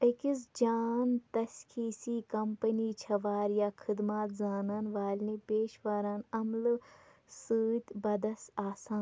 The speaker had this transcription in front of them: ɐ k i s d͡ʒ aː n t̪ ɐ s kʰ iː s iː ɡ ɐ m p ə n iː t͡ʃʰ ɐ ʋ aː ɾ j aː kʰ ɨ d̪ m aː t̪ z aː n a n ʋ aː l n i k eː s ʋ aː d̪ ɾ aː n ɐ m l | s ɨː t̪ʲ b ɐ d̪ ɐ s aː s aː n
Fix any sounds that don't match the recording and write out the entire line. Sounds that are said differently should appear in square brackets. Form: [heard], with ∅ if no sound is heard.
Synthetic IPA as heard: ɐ k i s d͡ʒ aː n t̪ ɐ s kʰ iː s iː [k] ɐ m p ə n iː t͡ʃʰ ɐ ʋ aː ɾ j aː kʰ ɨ d̪ m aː t̪ z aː n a n ʋ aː l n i [p] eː [ʃ] ʋ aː [∅] ɾ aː n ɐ m l | s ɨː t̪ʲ b ɐ d̪ ɐ s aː s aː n